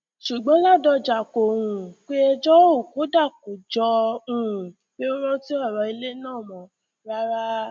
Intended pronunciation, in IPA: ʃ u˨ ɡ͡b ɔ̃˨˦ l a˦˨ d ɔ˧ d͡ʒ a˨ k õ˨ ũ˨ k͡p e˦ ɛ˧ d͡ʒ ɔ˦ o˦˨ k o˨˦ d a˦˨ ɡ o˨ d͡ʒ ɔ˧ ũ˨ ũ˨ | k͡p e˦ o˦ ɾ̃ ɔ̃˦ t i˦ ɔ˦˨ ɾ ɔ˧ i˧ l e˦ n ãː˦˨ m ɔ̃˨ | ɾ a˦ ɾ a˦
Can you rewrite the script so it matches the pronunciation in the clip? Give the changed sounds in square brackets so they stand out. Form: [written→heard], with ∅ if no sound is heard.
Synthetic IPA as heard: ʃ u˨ ɡ͡b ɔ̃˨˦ l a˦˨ d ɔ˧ d͡ʒ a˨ k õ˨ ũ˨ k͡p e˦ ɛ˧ d͡ʒ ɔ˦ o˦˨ k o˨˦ d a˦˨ [ɡ→k] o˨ d͡ʒ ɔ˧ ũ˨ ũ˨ | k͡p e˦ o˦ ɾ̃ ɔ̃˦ t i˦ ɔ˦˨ ɾ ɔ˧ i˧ l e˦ n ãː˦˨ m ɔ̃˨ | ɾ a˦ ɾ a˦